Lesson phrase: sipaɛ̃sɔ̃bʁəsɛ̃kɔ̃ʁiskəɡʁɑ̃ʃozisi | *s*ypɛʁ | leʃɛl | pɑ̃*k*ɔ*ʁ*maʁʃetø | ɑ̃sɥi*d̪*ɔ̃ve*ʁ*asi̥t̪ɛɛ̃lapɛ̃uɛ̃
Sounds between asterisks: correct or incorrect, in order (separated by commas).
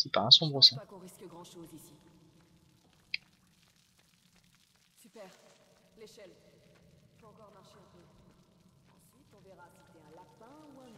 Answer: correct, correct, correct, incorrect, correct